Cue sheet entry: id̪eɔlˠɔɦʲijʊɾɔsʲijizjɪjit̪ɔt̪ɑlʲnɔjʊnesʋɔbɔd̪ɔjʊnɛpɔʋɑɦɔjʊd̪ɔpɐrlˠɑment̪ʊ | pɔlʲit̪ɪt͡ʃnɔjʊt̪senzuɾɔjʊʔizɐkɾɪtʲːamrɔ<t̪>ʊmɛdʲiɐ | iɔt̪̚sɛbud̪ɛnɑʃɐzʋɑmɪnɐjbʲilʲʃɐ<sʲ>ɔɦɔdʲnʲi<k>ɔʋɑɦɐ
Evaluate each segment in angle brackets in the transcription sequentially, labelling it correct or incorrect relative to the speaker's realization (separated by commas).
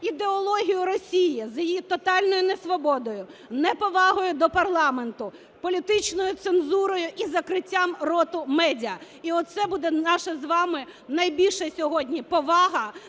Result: correct, correct, incorrect